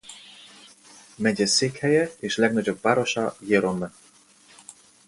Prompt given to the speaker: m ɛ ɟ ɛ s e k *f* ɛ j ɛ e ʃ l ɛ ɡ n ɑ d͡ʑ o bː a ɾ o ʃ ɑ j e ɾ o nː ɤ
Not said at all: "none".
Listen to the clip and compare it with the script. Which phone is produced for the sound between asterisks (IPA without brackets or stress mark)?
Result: h